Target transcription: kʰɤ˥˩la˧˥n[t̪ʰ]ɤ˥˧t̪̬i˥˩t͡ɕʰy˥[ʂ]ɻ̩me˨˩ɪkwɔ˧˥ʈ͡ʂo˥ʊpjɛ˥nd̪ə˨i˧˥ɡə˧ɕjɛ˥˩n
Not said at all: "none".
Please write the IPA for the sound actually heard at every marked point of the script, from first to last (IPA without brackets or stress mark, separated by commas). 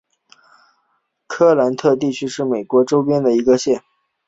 t̪ʰ, ʂ